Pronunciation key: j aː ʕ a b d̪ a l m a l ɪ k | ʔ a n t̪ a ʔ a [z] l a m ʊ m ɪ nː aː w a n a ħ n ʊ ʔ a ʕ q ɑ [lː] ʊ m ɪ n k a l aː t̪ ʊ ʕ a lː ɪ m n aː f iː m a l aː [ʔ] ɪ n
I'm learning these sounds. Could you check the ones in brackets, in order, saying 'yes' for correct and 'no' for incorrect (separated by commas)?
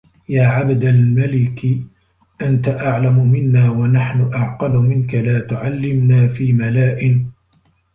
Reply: no, no, yes